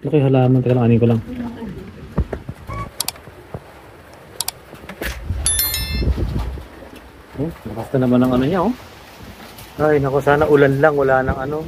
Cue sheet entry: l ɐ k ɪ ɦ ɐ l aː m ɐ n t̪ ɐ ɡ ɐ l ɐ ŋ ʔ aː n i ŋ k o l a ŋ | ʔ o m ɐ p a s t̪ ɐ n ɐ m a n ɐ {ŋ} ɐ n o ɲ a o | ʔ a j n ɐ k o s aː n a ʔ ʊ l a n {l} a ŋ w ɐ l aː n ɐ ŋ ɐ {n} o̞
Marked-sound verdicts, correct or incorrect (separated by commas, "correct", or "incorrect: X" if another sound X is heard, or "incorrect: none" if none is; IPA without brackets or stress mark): correct, correct, correct